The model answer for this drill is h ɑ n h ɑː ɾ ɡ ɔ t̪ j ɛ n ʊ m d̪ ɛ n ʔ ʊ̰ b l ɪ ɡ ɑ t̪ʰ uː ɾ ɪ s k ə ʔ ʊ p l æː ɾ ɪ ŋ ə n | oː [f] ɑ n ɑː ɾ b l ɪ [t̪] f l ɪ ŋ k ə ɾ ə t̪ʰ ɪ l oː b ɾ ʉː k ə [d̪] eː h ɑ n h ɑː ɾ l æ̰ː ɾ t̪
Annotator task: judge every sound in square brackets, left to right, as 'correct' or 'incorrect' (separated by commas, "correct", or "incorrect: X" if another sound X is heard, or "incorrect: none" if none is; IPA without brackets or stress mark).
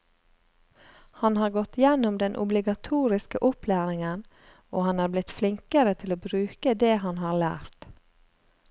incorrect: h, correct, correct